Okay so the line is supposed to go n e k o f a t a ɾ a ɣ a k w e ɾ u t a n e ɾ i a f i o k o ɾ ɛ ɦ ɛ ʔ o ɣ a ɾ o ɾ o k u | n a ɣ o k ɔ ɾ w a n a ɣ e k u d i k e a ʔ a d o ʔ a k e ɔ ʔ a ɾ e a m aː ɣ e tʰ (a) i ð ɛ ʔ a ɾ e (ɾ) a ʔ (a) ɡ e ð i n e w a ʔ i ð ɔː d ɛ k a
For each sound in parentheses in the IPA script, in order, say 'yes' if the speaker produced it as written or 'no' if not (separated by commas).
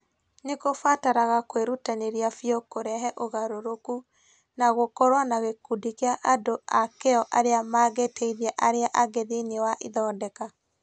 no, no, yes